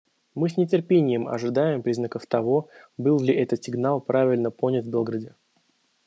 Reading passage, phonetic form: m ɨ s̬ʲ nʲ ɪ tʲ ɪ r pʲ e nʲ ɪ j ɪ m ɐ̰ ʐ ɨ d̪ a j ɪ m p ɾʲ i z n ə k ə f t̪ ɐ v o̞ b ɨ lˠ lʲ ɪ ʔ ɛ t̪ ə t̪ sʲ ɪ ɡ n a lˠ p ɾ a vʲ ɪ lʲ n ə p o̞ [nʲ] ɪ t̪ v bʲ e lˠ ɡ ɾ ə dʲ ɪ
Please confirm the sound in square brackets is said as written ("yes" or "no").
yes